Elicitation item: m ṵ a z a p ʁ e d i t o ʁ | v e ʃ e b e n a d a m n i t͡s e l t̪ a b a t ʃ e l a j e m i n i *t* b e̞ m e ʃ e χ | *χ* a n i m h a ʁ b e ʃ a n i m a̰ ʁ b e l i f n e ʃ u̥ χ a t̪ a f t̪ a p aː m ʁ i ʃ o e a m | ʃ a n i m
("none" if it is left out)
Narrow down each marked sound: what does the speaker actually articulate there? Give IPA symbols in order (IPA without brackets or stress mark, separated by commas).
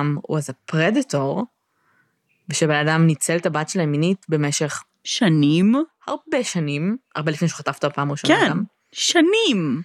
t, ʃ